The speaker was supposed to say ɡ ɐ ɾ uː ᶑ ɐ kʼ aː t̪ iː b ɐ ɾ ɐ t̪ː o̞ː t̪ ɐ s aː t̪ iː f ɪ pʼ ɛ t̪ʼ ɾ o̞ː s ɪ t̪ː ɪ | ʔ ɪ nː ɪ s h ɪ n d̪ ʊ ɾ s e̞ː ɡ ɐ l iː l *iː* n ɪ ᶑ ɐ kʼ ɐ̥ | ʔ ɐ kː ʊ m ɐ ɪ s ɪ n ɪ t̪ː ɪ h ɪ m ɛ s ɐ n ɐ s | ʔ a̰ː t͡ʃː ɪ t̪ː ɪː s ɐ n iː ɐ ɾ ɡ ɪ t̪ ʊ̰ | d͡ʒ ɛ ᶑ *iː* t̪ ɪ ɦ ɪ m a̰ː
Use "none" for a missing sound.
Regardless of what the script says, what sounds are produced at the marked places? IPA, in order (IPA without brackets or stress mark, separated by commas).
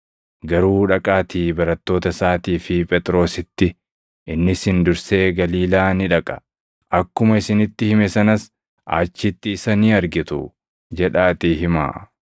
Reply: aː, aː